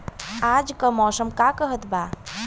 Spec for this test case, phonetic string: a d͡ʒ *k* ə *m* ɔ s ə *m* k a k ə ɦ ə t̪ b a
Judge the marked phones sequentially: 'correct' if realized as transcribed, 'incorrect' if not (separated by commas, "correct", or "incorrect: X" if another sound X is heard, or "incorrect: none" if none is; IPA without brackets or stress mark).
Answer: correct, correct, correct